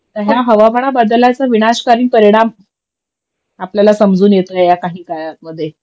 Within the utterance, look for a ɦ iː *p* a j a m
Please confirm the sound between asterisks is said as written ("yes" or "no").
no